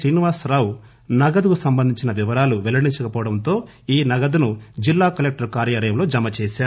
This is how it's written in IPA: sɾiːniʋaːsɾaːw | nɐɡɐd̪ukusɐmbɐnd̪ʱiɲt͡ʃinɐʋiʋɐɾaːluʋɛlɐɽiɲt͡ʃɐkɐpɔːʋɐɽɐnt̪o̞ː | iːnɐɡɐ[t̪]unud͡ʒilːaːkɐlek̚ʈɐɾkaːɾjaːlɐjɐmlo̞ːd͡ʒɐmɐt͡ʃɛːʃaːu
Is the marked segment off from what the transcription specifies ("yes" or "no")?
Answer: yes